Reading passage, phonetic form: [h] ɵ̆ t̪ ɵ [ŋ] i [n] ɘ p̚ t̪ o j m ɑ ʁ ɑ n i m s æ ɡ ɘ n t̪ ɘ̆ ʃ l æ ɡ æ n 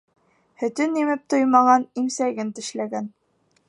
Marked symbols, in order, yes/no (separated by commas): yes, no, no